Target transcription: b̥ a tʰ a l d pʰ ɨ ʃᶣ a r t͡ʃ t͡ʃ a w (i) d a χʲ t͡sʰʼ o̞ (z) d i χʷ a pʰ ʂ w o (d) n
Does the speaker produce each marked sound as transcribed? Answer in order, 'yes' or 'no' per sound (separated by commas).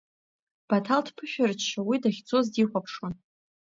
yes, yes, no